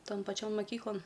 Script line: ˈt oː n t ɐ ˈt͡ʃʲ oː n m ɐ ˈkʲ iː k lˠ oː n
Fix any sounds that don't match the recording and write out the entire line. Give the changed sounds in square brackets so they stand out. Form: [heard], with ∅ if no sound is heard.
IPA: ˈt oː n [p] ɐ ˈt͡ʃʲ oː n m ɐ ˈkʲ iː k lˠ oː n